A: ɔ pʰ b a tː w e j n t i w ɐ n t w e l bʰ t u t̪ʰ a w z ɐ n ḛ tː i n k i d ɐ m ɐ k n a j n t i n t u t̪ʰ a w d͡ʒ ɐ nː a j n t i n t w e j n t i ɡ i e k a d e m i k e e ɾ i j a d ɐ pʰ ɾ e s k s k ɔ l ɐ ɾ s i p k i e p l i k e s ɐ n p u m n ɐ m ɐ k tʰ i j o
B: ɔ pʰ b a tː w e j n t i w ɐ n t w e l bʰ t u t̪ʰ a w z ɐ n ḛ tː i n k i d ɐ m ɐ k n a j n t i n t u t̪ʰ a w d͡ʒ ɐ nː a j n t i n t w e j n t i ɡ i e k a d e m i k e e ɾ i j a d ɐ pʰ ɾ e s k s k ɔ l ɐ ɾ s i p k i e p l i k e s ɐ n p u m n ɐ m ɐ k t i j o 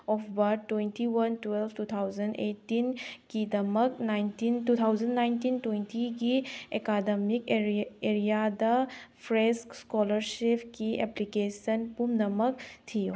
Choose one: A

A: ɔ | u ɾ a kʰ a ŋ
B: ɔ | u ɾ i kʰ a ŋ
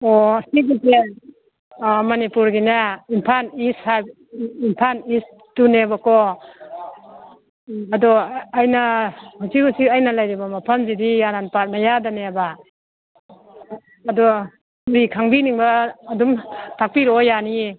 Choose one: B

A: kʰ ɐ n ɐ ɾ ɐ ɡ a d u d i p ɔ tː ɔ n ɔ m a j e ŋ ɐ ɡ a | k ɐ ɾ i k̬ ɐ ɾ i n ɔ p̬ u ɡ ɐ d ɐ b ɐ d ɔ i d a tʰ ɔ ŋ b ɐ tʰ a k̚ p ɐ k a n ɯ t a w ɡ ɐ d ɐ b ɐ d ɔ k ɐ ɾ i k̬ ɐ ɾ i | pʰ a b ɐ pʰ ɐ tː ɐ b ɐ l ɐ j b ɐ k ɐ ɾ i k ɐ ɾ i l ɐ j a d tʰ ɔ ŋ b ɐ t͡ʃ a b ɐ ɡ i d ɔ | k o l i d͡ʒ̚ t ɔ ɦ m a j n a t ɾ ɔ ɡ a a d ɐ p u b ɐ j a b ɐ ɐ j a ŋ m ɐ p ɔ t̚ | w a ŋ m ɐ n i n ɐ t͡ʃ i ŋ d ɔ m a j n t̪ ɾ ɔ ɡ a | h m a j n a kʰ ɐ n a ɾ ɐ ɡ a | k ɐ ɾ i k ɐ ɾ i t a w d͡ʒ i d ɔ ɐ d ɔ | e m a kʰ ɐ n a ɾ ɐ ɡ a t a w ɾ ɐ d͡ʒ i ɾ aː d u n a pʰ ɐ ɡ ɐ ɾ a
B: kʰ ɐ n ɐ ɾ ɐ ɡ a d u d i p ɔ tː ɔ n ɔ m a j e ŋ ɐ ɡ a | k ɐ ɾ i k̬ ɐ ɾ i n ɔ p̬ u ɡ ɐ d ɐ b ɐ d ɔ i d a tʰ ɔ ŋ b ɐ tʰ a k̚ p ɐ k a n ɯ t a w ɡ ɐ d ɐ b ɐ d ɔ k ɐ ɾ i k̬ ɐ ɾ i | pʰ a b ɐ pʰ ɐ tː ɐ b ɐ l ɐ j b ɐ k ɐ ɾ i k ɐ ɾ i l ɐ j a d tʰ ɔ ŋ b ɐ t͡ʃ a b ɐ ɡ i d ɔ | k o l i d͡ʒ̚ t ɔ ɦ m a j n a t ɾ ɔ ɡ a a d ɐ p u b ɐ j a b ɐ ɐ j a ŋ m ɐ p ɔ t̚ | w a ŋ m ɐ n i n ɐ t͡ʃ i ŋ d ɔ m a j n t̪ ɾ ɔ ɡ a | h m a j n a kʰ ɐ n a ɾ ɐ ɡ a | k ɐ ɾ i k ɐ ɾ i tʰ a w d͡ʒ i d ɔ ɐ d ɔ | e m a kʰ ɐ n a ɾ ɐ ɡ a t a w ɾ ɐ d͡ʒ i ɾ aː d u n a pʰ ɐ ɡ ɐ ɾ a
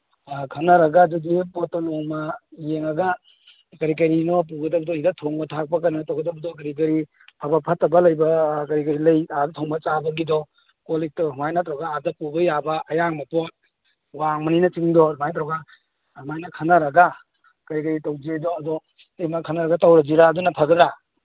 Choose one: A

